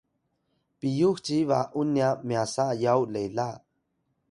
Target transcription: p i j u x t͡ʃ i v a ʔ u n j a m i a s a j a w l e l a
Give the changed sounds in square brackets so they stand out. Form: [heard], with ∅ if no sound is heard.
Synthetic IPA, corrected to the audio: p i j u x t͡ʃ i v a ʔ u n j a m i a s a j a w l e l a